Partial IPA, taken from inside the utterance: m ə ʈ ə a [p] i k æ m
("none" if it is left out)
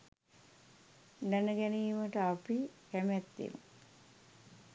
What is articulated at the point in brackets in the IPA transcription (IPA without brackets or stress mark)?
p